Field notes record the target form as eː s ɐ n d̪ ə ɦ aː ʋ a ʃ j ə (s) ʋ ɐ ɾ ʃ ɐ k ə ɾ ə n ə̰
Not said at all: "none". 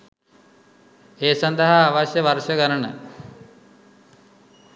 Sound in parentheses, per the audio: none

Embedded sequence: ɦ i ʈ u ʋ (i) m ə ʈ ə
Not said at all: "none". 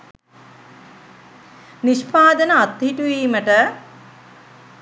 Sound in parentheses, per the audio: iː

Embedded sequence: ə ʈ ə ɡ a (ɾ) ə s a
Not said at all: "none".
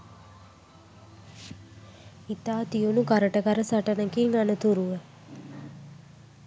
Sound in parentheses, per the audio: ɾ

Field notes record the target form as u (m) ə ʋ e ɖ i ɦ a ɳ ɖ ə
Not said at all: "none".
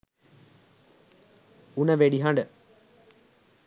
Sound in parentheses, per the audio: n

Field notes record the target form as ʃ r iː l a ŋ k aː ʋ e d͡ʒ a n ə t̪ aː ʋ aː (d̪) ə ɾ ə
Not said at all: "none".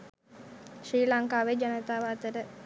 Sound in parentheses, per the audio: t̪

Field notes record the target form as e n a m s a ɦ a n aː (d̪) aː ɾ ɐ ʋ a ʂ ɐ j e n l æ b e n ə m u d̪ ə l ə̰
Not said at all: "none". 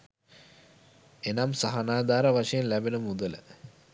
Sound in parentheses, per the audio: d̪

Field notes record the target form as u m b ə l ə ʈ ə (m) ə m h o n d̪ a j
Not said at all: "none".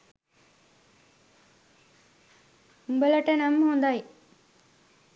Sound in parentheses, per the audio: n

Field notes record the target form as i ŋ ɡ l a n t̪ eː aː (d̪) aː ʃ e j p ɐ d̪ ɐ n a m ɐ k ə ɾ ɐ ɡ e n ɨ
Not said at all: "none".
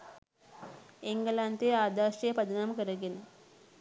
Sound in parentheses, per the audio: d̪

